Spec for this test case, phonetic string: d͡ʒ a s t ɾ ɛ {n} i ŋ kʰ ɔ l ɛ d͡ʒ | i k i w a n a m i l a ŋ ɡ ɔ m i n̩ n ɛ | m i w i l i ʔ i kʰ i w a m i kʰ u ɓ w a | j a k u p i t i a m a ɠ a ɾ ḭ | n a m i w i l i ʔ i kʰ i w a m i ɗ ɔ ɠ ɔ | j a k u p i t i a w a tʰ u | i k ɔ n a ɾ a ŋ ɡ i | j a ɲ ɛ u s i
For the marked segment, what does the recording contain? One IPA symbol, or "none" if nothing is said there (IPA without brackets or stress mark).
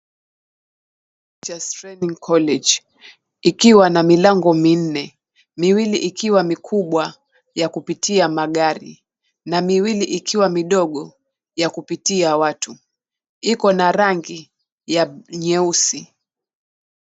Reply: n